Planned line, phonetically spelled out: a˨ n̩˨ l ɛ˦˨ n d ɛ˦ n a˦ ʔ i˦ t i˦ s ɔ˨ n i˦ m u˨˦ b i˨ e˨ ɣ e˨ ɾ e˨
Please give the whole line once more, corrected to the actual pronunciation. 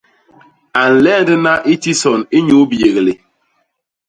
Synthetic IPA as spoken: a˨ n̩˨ l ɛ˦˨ n d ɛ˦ n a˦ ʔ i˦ t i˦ s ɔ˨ n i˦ ɲ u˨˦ b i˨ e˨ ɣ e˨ l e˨